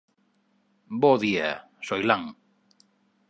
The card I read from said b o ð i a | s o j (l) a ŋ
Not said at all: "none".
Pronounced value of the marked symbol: l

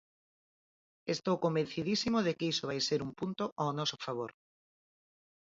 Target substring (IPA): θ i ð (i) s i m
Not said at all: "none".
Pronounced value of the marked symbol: i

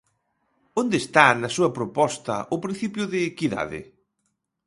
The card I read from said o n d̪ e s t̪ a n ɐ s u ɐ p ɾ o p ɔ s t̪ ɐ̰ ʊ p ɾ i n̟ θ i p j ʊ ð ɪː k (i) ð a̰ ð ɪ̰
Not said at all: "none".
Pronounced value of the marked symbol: i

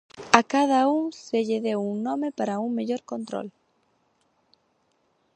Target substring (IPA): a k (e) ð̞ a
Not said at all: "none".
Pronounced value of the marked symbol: a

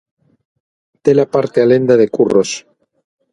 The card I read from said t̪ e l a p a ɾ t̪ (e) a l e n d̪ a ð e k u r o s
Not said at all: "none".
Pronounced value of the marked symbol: e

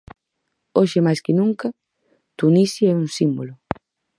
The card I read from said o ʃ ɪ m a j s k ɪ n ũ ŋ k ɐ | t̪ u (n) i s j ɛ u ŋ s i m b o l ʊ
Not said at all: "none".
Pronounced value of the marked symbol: n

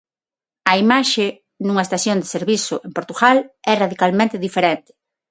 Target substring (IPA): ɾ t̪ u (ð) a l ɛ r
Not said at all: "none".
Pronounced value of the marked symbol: ɣ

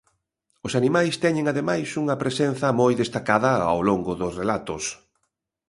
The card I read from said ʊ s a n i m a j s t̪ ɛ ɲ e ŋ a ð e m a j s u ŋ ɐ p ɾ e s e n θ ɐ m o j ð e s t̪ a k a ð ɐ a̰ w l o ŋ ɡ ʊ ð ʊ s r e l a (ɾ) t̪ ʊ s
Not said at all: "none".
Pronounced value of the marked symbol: none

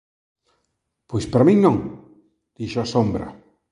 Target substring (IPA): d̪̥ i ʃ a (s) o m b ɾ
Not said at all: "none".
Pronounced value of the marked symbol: s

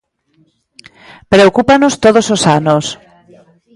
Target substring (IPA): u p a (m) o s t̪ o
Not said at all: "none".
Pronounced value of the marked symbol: n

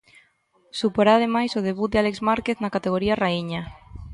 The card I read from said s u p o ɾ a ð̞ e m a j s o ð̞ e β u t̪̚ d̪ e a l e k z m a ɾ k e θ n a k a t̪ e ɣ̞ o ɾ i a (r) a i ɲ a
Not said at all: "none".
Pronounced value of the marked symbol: r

